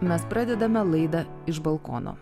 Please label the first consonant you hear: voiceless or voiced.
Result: voiced